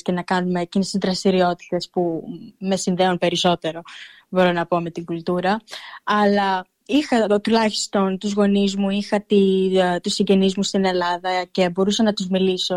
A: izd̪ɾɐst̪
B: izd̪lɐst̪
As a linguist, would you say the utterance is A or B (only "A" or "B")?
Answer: A